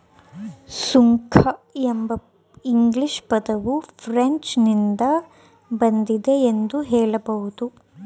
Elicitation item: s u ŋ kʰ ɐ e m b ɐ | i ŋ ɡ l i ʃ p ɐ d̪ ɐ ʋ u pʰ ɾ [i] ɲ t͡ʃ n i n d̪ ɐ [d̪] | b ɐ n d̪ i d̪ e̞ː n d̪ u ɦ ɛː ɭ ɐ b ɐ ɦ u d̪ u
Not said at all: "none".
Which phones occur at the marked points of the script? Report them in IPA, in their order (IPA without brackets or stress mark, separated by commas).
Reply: e, none